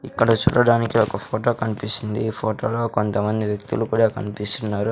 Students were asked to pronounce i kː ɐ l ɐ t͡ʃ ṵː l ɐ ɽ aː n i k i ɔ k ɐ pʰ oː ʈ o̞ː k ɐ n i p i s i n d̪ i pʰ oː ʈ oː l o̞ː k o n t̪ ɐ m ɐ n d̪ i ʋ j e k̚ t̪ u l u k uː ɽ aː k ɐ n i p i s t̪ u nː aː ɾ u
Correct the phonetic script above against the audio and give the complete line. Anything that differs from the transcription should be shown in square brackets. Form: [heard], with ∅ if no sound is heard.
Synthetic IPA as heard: i kː ɐ [ɽ] ɐ t͡ʃ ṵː [ɽ] ɐ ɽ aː n i k i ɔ k ɐ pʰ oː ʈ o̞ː k ɐ n i p i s i n d̪ i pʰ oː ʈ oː l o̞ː k o n t̪ ɐ m ɐ n d̪ i ʋ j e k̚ t̪ u l u k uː ɽ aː k ɐ n i p i s t̪ u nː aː ɾ u